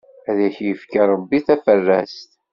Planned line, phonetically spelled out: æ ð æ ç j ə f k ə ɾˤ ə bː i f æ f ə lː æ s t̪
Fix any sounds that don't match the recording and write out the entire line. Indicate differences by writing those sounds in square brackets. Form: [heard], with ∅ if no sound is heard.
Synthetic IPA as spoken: æ ð æ ç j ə f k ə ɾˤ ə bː i [θ] æ f ə [rː] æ s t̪